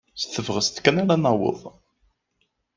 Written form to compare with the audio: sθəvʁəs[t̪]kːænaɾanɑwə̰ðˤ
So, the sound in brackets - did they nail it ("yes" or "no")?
yes